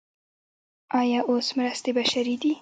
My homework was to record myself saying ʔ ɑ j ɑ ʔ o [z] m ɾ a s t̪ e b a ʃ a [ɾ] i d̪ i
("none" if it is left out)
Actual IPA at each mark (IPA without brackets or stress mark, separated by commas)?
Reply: s, ɾ